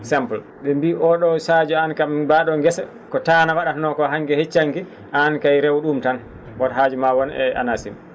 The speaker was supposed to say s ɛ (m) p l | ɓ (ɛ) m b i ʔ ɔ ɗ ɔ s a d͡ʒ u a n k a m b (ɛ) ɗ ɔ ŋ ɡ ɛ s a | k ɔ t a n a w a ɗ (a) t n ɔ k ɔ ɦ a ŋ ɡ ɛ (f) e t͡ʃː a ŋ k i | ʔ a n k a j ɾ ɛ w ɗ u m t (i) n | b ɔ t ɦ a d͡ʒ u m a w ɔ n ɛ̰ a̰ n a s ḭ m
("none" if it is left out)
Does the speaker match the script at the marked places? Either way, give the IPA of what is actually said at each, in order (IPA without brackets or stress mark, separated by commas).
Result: m, ɛ, a, a, h, a